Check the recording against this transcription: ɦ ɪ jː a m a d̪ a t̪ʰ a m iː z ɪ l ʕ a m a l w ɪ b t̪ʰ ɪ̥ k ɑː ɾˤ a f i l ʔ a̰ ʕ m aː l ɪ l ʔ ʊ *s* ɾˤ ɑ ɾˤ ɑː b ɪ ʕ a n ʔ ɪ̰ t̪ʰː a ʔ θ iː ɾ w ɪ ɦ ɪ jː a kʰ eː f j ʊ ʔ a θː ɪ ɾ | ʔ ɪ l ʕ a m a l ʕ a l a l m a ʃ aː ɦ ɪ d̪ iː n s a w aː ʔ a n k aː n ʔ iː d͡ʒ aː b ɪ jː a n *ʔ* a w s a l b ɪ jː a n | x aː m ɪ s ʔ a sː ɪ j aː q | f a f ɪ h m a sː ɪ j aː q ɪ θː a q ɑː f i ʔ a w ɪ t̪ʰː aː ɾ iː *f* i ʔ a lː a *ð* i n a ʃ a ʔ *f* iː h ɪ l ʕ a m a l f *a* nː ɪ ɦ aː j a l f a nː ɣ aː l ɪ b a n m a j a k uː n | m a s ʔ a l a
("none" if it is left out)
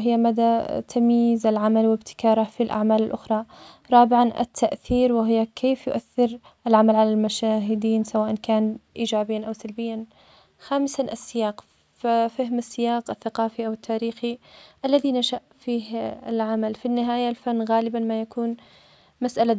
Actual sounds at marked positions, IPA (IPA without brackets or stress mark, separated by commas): x, ʔ, x, ð, f, i